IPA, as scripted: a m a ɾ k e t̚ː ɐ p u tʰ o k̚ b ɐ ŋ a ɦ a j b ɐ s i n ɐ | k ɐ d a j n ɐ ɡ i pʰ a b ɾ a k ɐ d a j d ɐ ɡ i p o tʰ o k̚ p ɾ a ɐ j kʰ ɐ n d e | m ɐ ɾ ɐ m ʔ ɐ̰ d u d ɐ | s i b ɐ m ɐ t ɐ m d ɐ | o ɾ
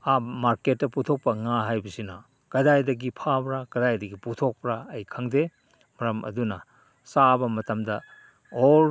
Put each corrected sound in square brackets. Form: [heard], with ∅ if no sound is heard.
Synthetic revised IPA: a m a ɾ k e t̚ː ɐ p u tʰ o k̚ [p] ɐ ŋ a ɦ a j b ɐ s i n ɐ | k ɐ d a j [d] ɐ ɡ i pʰ a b ɾ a k ɐ d a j d ɐ ɡ i p [u] tʰ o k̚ p ɾ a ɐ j kʰ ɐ [ŋ] d e | m ɐ ɾ ɐ m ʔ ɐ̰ d u [n] ɐ | s [a] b ɐ m ɐ t ɐ m d ɐ | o ɾ

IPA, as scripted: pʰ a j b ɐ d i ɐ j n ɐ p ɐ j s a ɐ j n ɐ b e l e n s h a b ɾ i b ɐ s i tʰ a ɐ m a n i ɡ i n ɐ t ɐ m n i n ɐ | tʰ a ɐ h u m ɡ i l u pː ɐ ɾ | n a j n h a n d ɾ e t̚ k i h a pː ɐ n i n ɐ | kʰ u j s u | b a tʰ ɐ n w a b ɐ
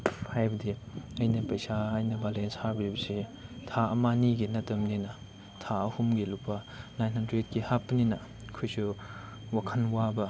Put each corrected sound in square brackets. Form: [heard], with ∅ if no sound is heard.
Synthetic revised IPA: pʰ a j b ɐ d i ɐ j n ɐ p ɐ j s a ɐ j n ɐ b [a] l e n s h a b ɾ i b ɐ s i tʰ a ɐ m a n i ɡ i n ɐ t ɐ m n i n ɐ | tʰ a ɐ h u m ɡ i l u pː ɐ [∅] | n a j n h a n d ɾ e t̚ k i h a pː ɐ n i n ɐ | kʰ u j s u | [w] a [kʰ] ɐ n w a b ɐ

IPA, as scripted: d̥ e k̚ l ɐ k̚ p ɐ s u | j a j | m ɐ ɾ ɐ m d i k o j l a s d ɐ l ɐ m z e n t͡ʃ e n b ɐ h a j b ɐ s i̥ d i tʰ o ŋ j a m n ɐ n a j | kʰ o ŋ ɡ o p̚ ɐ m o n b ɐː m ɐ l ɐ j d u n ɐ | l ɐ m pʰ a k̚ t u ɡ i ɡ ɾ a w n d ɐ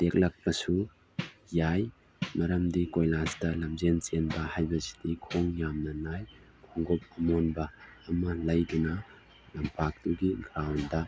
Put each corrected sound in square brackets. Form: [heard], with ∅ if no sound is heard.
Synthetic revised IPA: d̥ e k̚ l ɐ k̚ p ɐ s u | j a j | m ɐ ɾ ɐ m d i k o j l a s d ɐ l ɐ m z e n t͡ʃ e n b ɐ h a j b ɐ s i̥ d i [kʰ] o ŋ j a m n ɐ n a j | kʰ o ŋ ɡ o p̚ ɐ m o n b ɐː m ɐ l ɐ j d u n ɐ | l ɐ m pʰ a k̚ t u ɡ i ɡ ɾ a w n d ɐ

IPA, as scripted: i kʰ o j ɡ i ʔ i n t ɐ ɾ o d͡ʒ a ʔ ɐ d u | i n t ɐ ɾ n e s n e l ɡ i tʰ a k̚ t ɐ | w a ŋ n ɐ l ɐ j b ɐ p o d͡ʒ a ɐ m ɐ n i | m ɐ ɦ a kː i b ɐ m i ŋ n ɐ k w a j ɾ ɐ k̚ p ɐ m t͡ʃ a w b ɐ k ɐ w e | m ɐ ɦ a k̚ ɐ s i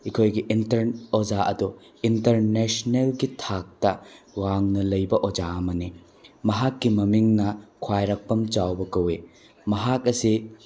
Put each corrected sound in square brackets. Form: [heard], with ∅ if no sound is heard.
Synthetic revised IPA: i kʰ o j ɡ i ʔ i n t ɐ ɾ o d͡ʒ a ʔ ɐ d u | i n t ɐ ɾ n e s n e l ɡ i tʰ a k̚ t ɐ | w a ŋ n ɐ l ɐ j b ɐ [ʔ] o d͡ʒ a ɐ m ɐ n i | m ɐ ɦ a kː i [m] ɐ m i ŋ n ɐ [kʰ] w a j ɾ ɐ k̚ p ɐ m t͡ʃ a w b ɐ k ɐ w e | m ɐ ɦ a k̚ ɐ s i

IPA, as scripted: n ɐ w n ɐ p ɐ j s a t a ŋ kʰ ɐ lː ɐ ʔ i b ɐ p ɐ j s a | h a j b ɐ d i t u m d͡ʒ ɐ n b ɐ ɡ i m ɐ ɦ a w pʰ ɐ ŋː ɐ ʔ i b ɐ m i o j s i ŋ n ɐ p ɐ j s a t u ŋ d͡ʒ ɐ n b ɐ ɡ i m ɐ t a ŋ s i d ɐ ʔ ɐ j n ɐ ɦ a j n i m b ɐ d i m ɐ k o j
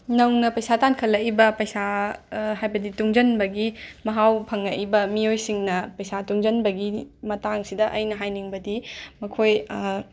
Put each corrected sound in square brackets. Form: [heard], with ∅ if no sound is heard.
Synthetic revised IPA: n ɐ w n ɐ p ɐ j s a t a [n] kʰ ɐ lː ɐ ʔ i b ɐ p ɐ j s a | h a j b ɐ d i t u [ŋ] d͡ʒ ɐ n b ɐ ɡ i m ɐ ɦ a w pʰ ɐ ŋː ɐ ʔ i b ɐ m i o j s i ŋ n ɐ p ɐ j s a t u ŋ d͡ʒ ɐ n b ɐ ɡ i m ɐ t a ŋ s i d ɐ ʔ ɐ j n ɐ ɦ a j n i [ŋ] b ɐ d i m ɐ [kʰ] o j

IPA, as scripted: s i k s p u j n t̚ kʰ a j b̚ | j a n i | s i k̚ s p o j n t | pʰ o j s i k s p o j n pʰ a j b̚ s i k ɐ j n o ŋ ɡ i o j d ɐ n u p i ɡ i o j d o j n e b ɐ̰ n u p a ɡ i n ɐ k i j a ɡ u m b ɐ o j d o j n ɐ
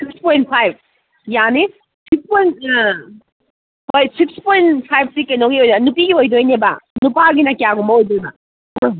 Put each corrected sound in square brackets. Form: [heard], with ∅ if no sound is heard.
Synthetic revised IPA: s i k s p [o] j n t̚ [pʰ] a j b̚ | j a n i | s i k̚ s p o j n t | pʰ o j s i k s p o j n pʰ a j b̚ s i k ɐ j n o ŋ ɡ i o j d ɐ n u p i ɡ i o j d o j n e b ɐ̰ n u p a ɡ i n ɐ k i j a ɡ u m b ɐ o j d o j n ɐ

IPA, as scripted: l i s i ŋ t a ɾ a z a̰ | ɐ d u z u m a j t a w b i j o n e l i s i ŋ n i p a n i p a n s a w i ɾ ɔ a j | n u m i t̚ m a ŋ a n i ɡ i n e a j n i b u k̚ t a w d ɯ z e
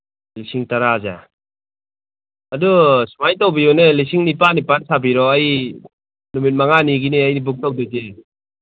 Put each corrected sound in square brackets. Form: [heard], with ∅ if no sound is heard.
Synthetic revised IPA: l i s i ŋ t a ɾ a z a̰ | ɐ d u [s] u m a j t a w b i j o n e l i s i ŋ n i p a n i p a n s a [b] i ɾ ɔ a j | n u m i t̚ m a ŋ a n i ɡ i n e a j n i b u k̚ t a w d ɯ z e

